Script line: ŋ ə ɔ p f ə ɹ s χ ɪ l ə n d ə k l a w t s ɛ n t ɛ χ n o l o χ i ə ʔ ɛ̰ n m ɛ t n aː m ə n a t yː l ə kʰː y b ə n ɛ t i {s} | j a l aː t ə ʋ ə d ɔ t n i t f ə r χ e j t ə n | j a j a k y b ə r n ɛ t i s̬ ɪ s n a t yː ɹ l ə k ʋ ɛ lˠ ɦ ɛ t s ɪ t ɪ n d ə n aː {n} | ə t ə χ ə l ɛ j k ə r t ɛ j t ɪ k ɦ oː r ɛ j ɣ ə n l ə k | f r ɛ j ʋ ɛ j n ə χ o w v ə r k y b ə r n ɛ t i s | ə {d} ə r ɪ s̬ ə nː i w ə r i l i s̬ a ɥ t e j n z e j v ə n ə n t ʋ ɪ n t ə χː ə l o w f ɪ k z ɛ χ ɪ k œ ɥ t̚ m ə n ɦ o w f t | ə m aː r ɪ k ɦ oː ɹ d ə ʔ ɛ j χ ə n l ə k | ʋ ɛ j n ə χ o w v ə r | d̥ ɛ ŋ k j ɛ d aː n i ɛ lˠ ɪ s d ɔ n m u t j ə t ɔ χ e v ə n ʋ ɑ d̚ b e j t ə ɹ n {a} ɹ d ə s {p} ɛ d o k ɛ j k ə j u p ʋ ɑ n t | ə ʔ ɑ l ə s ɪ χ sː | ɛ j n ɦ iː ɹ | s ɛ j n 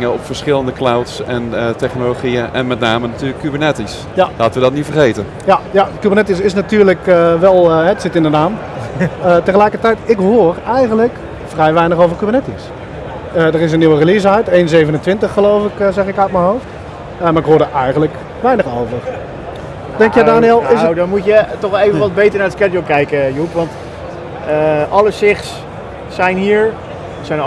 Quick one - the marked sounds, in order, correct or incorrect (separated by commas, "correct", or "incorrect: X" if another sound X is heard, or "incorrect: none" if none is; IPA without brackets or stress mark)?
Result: correct, incorrect: m, correct, correct, incorrect: k